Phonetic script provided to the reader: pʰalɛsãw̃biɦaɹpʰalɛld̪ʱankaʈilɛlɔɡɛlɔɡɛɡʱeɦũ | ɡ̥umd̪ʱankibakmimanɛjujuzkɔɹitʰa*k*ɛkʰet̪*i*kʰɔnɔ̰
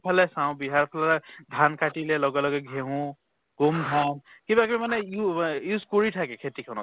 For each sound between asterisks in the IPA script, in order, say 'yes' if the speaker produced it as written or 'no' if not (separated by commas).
yes, yes